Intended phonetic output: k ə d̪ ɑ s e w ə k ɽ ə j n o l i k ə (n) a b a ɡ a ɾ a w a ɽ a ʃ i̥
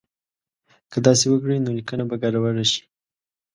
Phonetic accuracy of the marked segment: correct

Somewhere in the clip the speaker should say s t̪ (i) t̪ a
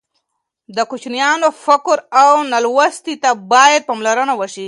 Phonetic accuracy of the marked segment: correct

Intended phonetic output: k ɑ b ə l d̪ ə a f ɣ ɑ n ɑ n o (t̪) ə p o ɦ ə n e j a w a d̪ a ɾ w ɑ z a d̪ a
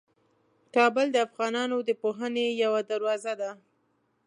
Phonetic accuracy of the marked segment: incorrect: d̪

